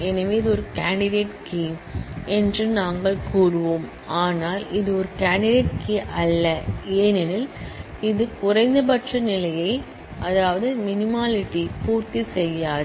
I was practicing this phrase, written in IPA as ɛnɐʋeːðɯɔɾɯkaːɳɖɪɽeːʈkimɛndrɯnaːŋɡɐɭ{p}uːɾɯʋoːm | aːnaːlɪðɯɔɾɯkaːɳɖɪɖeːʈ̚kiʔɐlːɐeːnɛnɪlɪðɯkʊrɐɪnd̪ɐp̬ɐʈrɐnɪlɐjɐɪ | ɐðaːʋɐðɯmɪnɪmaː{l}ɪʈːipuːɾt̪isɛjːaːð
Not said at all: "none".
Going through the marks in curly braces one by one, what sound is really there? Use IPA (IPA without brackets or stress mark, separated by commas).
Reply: k, l